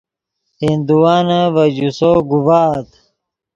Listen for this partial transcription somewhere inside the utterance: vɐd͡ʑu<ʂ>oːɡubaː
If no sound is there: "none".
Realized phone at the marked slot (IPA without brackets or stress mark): s